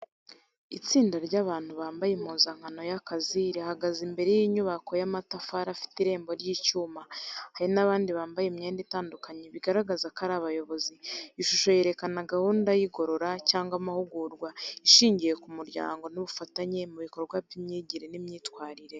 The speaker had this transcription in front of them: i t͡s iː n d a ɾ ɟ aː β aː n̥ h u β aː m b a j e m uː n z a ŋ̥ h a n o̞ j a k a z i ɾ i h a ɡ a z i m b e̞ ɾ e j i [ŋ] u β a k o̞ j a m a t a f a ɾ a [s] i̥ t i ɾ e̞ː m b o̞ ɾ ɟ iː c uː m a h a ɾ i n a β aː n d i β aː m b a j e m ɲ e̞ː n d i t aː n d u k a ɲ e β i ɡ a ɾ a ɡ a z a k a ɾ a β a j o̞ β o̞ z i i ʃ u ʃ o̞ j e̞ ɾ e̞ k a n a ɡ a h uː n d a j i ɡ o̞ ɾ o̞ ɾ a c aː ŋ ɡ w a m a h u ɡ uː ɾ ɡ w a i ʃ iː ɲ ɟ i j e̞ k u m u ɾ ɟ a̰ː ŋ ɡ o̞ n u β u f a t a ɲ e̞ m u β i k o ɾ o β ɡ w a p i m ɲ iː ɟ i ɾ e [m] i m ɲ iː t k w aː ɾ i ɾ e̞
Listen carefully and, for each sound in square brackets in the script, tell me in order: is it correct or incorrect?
incorrect: ɲ, incorrect: f, incorrect: n

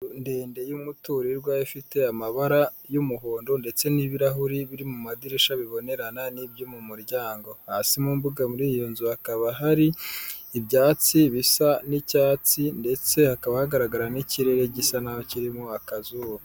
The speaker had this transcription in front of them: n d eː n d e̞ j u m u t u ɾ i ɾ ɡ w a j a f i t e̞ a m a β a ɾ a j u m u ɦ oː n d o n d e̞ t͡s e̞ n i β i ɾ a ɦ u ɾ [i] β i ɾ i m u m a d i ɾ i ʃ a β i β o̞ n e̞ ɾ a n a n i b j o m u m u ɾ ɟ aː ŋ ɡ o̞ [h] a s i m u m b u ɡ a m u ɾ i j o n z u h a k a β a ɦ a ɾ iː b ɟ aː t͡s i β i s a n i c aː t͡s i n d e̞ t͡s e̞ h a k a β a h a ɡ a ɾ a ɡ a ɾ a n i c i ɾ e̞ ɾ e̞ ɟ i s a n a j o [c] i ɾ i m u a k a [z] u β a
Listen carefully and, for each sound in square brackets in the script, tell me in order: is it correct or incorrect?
correct, correct, correct, correct

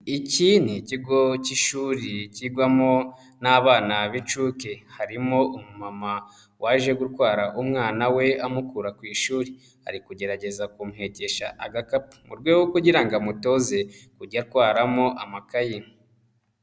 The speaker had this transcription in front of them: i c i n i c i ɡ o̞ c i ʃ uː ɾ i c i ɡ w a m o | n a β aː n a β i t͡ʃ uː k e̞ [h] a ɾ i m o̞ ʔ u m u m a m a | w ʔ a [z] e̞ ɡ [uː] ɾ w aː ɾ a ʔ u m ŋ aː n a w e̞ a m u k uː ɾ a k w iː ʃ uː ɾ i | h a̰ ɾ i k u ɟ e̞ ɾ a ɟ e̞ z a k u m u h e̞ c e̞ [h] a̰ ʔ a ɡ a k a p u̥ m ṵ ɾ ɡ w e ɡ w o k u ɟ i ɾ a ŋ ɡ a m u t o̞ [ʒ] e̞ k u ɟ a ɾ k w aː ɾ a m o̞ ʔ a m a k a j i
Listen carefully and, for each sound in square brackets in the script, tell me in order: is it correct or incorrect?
correct, incorrect: ʒ, incorrect: u, incorrect: ʃ, incorrect: z

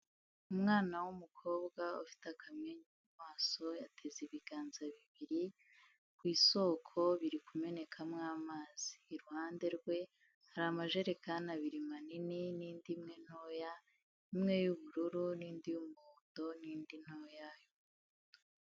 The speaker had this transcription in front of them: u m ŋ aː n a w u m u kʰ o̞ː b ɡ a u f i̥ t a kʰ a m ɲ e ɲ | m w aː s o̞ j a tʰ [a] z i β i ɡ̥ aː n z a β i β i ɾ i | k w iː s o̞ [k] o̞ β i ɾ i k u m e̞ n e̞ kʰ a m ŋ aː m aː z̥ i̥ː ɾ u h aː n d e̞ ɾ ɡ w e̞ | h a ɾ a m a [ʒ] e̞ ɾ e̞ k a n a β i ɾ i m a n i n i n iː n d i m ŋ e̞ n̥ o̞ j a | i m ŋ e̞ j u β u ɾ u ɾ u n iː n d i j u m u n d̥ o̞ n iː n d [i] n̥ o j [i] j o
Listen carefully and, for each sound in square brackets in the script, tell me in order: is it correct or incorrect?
incorrect: e, incorrect: kʰ, correct, correct, incorrect: a

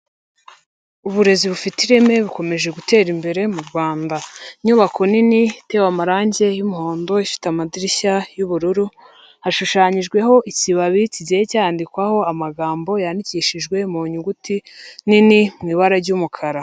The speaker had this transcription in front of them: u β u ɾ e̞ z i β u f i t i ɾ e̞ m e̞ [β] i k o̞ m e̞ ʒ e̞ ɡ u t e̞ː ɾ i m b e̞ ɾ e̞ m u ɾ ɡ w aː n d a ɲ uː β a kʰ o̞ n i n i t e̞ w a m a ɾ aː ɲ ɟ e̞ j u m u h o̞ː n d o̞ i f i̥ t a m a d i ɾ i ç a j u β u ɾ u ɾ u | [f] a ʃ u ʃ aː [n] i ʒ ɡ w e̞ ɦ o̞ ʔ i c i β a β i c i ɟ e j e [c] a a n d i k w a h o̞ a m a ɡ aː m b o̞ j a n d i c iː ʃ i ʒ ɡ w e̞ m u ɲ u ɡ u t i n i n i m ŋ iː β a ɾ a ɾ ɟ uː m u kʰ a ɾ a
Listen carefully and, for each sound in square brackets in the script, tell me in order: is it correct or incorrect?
correct, incorrect: h, incorrect: ɲ, correct

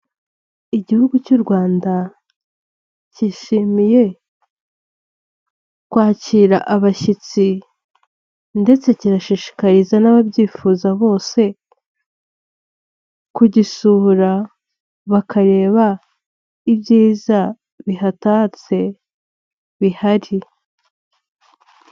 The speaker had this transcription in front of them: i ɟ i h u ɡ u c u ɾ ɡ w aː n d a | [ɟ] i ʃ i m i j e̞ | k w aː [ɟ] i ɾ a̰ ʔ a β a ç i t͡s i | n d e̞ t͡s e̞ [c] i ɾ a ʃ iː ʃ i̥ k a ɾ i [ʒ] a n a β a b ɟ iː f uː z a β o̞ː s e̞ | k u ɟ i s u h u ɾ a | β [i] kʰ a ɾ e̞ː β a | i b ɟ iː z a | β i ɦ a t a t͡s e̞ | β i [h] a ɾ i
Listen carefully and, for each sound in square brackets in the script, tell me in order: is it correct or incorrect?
incorrect: c, incorrect: c, correct, incorrect: z, incorrect: a, correct

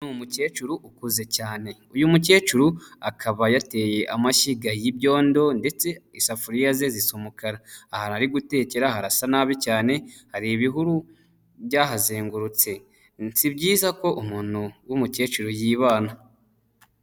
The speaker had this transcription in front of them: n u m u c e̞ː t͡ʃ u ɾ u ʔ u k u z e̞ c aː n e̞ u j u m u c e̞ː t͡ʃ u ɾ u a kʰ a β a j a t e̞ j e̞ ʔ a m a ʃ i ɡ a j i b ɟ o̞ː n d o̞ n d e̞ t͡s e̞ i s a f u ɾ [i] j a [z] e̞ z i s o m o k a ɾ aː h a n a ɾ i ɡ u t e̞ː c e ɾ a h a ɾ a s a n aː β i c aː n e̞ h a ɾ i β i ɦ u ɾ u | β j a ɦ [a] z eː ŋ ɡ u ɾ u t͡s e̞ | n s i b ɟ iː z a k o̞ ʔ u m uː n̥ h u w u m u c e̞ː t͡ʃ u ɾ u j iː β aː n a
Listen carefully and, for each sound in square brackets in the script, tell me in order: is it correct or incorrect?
correct, correct, correct

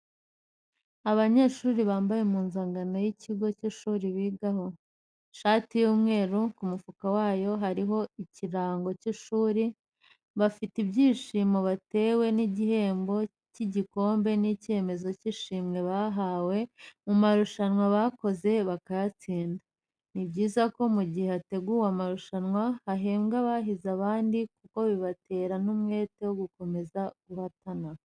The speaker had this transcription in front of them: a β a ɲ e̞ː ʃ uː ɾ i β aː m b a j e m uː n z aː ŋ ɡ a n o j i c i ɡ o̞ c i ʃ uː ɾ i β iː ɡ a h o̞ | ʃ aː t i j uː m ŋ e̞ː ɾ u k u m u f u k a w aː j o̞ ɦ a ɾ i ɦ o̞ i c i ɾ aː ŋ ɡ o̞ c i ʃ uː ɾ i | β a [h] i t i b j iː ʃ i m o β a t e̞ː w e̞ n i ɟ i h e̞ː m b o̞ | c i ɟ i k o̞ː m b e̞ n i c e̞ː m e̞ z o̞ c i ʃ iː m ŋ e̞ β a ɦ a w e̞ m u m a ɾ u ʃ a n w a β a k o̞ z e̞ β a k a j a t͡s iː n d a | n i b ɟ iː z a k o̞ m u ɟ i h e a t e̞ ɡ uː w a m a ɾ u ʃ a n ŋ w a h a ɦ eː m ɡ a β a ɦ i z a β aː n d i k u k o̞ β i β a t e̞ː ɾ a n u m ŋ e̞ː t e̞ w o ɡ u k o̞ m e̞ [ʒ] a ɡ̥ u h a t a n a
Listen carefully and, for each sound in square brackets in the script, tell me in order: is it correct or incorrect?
incorrect: f, incorrect: z

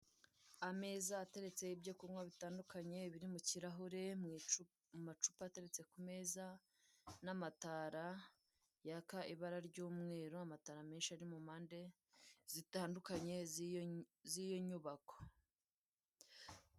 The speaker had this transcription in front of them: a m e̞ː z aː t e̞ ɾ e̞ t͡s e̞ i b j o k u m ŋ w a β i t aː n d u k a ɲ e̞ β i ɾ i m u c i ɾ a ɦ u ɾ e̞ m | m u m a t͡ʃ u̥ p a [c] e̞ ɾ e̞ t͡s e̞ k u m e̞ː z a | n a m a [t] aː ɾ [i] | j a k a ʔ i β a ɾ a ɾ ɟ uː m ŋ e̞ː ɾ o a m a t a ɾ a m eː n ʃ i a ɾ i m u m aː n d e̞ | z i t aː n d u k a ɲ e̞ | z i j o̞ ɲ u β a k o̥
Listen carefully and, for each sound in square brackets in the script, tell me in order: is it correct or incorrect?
incorrect: t, correct, incorrect: a

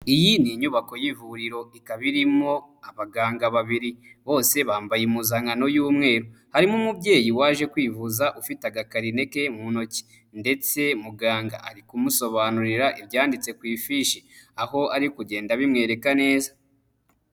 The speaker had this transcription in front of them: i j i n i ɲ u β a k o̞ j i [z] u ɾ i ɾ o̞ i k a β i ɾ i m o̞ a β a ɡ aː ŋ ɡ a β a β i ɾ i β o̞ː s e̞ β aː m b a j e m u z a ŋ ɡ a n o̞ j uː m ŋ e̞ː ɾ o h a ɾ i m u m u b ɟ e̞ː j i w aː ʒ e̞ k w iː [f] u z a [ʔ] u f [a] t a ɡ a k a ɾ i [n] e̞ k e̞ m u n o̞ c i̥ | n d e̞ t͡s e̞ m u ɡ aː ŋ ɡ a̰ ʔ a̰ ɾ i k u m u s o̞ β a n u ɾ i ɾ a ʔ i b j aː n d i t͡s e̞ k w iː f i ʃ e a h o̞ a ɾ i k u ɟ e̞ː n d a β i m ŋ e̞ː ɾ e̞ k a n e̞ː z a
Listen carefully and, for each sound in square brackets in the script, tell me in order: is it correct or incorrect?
incorrect: v, incorrect: v, correct, incorrect: i, correct

